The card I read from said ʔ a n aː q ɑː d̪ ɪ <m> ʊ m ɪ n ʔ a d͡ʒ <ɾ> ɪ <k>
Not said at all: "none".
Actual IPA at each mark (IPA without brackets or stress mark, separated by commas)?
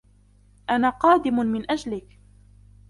m, l, k